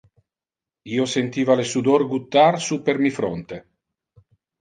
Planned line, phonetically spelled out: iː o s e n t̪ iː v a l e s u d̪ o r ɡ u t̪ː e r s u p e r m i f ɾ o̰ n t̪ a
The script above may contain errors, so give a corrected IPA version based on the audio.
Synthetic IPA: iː o s e n t̪ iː v a l e s u d̪ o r ɡ u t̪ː a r s u p e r m i f ɾ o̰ n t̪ e